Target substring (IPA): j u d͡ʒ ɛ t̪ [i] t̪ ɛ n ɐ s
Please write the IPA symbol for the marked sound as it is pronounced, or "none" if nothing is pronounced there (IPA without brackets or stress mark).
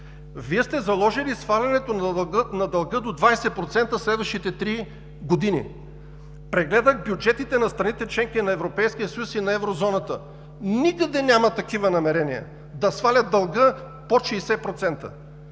i